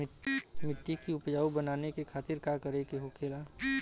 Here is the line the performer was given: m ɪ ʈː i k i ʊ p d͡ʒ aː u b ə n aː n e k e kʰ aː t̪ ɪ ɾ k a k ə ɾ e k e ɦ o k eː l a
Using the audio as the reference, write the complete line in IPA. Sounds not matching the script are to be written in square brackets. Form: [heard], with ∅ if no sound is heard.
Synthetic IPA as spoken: m ɪ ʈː i k i ʊ p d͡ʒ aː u b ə n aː n e k e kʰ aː t̪ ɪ ɾ k a k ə ɾ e k e ɦ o k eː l a